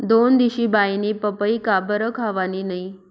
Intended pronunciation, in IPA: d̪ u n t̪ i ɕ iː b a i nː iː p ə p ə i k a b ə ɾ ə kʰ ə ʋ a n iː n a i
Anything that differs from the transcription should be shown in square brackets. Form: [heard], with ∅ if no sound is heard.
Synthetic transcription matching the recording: d̪ [o] n [d̪] i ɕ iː b a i [n] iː p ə p ə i k a b ə ɾ ə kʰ [a] ʋ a n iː n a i